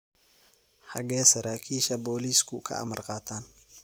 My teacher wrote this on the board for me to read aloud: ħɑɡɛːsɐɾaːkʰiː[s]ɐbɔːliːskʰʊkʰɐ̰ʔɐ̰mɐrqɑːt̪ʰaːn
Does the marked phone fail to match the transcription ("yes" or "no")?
yes